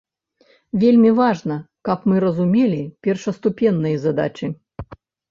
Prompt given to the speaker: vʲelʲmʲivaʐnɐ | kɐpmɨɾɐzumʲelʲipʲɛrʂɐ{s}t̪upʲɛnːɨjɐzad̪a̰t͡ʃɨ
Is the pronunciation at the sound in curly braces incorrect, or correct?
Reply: correct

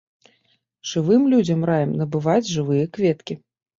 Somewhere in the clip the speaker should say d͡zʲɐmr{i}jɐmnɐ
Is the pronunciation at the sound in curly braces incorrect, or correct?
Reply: incorrect: a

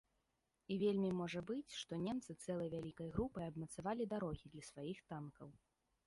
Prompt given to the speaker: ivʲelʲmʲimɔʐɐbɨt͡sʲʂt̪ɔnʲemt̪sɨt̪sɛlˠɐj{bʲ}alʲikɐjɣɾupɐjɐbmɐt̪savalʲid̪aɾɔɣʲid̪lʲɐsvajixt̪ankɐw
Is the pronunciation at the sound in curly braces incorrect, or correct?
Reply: incorrect: vʲ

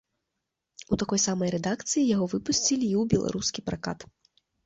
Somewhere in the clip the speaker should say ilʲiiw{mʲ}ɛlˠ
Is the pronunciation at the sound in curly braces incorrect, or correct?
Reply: incorrect: bʲ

